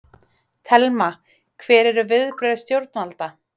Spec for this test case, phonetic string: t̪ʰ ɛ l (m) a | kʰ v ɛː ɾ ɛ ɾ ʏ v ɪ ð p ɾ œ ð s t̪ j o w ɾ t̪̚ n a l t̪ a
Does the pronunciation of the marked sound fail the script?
no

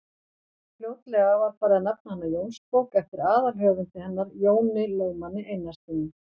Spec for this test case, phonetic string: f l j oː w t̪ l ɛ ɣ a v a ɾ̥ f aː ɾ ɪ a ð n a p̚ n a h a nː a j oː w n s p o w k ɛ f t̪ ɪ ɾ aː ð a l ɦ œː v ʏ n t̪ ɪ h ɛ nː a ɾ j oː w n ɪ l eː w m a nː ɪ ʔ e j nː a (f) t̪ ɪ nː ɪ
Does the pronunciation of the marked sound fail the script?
yes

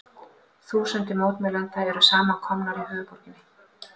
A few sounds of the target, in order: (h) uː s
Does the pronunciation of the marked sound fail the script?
yes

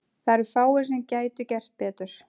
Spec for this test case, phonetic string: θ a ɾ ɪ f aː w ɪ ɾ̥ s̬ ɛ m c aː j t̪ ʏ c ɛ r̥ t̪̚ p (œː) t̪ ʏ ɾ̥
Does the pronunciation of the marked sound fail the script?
yes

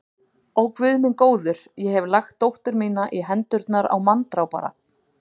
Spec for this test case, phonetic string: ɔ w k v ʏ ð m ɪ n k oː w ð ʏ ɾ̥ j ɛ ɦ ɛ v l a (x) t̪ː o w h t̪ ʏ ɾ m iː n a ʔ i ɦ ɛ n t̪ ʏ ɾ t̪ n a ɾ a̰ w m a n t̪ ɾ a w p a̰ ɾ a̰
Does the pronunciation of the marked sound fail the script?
no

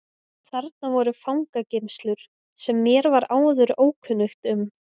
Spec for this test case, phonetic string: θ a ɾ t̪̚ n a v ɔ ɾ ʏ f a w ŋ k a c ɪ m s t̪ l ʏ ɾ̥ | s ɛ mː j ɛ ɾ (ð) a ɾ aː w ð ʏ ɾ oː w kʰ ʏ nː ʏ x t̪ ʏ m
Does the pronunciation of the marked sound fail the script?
yes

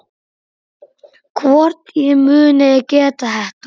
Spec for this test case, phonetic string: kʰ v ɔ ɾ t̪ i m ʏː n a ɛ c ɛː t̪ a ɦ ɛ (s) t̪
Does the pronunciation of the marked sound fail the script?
yes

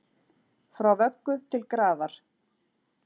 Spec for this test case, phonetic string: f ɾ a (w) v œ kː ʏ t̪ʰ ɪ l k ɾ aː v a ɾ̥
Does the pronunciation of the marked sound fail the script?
no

